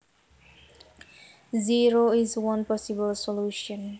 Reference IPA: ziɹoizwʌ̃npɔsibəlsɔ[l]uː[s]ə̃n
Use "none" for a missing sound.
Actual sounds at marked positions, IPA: l, ʃ

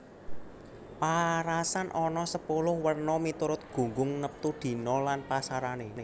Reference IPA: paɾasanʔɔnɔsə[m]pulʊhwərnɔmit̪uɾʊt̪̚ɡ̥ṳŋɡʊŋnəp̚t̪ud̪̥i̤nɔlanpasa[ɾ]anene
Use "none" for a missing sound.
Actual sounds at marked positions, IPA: none, ɾ

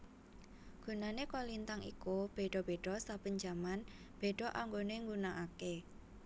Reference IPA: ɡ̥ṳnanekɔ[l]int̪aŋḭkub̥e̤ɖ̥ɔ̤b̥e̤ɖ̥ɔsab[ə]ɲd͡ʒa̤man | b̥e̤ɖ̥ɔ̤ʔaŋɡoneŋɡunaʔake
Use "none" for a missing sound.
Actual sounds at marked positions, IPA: l, ə

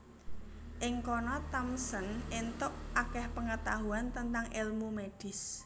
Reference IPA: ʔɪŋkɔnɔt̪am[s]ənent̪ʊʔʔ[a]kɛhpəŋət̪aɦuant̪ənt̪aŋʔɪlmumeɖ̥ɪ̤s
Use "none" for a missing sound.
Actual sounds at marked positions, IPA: s, a

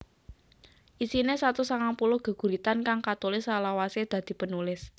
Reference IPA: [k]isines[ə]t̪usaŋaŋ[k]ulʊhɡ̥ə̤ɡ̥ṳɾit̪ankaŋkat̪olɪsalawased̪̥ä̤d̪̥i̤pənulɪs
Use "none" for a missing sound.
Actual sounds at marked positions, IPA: ʔ, a, p

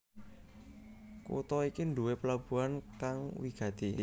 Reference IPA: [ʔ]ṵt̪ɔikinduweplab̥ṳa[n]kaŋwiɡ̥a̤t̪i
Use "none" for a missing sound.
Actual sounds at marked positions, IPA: k, n

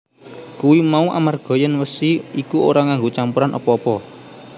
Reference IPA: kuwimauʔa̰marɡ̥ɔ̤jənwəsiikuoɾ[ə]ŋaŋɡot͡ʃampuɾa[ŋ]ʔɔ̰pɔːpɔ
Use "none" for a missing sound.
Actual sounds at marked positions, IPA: a, n

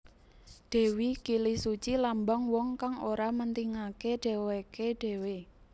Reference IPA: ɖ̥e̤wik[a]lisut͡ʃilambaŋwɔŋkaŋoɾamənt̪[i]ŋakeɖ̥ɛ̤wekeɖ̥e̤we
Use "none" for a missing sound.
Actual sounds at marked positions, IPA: i, i

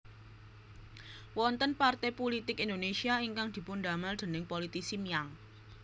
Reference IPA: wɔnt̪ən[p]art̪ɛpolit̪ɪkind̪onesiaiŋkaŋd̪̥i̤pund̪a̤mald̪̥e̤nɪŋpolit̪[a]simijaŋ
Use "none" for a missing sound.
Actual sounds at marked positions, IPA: p, i

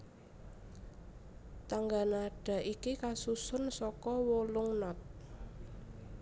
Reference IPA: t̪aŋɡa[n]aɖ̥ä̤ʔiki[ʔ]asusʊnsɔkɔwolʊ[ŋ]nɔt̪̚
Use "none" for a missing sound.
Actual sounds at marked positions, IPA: n, k, ŋ

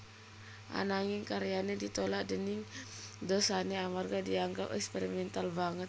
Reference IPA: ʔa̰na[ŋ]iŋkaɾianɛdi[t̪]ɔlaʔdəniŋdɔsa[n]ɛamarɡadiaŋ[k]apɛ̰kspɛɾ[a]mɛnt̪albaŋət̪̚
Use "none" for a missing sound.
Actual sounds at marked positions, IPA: ŋ, t̪, n, ɡ, i

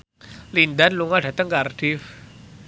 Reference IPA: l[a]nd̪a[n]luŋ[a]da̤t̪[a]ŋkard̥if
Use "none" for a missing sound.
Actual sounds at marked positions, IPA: i, n, a, ə

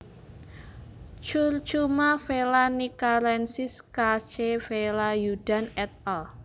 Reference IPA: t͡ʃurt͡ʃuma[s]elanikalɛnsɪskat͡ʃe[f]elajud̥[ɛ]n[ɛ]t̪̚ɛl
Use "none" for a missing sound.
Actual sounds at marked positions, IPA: f, f, a, ɛ

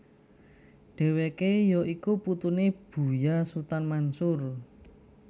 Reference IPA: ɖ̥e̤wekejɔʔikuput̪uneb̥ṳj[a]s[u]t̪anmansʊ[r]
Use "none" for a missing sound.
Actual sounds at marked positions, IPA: a, u, r

